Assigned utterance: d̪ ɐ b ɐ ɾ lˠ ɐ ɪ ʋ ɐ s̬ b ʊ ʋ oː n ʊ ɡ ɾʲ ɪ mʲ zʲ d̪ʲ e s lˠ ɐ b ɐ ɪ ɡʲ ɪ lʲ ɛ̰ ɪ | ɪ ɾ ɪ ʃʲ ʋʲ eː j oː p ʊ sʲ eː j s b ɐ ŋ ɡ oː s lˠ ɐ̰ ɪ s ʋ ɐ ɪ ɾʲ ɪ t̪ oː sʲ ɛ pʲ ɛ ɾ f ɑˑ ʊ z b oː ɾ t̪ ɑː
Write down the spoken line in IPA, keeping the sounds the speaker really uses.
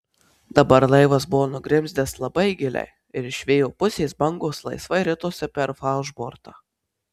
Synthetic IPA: d̪ ɐ b ɐ ɾ lˠ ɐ ɪ ʋ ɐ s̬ b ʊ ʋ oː n ʊ ɡ ɾʲ ɪ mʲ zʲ d̪ʲ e s lˠ ɐ b ɐ ɪ ɡʲ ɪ lʲ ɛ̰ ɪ | ɪ ɾ ɪ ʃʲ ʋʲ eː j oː p ʊ sʲ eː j s b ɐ ŋ ɡ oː s lˠ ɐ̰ ɪ s ʋ ɐ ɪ ɾʲ ɪ t̪ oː sʲ ɛ pʲ ɛ ɾ f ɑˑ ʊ ʒ b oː ɾ t̪ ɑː